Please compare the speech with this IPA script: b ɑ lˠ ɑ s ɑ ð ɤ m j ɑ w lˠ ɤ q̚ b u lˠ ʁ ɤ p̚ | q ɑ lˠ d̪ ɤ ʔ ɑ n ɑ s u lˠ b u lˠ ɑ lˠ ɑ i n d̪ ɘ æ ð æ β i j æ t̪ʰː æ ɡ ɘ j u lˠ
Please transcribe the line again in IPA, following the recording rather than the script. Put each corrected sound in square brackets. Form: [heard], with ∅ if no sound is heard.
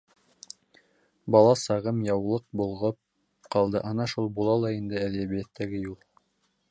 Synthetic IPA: b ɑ lˠ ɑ s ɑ [ʁ] ɤ m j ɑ w lˠ ɤ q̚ b u lˠ ʁ ɤ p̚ | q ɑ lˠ d̪ ɤ ʔ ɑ n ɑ [ʃ] u lˠ b u lˠ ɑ lˠ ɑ i n d̪ ɘ æ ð æ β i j æ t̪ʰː æ ɡ ɘ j u lˠ